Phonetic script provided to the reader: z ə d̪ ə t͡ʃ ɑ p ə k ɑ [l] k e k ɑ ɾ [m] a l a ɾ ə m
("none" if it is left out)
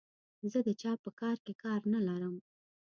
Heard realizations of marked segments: ɾ, n

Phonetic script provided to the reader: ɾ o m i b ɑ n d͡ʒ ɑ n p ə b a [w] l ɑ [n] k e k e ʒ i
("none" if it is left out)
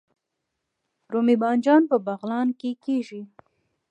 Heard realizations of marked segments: ɣ, n

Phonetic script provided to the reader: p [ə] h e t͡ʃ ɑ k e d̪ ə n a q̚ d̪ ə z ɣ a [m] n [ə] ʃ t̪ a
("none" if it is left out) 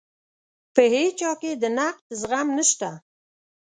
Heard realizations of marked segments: ə, m, ə

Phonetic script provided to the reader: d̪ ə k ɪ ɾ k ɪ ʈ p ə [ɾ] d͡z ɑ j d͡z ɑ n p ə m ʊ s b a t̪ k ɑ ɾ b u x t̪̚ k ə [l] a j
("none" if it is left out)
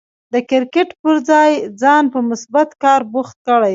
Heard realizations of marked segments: ɾ, ɽ

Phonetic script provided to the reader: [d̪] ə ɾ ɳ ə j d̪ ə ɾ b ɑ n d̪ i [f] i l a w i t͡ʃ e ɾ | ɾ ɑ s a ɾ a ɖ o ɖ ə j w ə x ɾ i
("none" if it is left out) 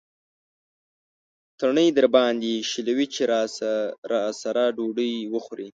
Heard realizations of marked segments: t̪, ʃ

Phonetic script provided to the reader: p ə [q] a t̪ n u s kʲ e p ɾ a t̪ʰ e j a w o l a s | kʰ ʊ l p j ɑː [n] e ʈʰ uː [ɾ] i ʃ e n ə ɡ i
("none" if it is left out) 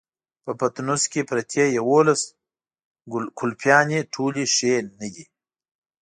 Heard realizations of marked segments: p, n, l

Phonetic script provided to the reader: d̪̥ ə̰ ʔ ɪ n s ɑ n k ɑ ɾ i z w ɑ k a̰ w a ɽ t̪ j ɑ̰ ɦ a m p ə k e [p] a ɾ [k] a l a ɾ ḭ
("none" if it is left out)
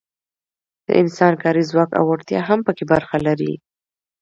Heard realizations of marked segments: b, x

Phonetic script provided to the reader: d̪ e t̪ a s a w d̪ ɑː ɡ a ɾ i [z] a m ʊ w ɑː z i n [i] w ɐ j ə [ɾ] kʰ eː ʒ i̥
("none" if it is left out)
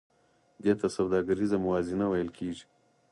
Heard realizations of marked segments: z, a, l

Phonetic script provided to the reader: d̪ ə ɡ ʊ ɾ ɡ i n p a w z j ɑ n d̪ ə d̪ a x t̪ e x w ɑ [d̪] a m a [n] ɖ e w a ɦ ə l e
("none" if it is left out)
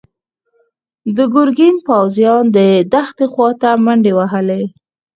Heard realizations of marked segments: t̪, ɳ

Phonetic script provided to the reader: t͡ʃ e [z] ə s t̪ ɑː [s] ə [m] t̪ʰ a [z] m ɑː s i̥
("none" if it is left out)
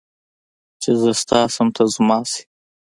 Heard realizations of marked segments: z, s, m, z

